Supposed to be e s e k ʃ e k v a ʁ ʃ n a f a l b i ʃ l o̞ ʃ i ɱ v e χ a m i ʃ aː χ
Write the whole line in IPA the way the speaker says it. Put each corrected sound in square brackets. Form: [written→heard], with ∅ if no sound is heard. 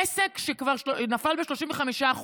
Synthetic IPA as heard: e s e k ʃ e k v a ʁ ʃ n a f a l b [i→e] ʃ l o̞ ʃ i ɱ v e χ a m i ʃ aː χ